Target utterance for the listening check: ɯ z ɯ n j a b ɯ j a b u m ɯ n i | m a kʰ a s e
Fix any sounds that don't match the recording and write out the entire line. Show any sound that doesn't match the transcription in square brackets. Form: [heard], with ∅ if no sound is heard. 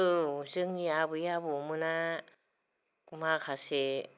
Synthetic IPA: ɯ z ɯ [ŋ] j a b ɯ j a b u m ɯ n [a] | m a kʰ a s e